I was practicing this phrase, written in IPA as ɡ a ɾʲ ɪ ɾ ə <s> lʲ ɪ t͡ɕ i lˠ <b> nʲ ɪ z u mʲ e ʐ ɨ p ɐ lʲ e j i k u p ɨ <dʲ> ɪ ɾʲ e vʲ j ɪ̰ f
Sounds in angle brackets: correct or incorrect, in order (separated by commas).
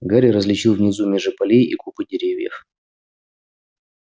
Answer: incorrect, incorrect, correct